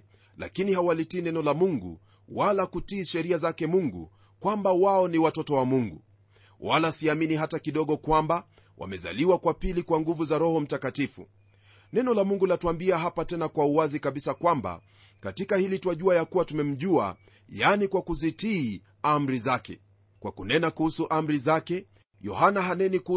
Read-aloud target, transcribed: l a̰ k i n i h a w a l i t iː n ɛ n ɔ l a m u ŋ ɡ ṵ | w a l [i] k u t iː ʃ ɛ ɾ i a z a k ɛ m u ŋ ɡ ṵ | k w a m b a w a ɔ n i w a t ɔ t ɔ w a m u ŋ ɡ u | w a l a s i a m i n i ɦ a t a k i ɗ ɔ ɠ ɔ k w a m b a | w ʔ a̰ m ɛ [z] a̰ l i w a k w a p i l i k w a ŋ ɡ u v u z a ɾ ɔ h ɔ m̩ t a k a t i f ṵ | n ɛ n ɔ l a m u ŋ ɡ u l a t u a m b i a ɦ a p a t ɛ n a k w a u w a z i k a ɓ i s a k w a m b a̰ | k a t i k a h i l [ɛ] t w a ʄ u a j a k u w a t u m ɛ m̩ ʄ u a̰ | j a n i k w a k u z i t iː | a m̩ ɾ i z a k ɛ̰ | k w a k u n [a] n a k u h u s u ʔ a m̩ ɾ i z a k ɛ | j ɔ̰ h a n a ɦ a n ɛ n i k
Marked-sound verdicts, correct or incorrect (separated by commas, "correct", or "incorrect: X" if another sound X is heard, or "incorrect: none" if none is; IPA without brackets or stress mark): incorrect: a, correct, incorrect: i, incorrect: ɛ